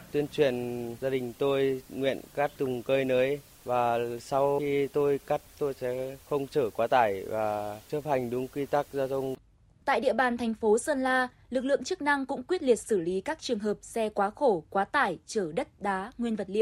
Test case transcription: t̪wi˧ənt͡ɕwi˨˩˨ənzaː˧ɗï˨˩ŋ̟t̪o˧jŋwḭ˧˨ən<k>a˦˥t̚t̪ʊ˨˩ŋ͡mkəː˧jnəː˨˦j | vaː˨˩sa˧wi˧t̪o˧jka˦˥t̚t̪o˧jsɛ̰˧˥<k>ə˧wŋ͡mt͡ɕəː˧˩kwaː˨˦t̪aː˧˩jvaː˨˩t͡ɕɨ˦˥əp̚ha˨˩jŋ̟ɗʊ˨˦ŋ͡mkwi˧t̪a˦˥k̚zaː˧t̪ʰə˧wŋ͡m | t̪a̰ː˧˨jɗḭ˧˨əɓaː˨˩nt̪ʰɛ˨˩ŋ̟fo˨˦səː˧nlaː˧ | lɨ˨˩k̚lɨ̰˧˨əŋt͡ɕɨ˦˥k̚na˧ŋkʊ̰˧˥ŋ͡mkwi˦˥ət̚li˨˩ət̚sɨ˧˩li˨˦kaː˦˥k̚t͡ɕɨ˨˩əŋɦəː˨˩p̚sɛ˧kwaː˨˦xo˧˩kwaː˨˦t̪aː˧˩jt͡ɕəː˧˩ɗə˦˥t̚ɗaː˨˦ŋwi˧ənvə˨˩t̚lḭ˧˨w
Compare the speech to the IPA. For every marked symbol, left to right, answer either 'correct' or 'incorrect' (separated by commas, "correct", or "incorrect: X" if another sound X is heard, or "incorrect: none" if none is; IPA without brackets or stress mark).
correct, incorrect: x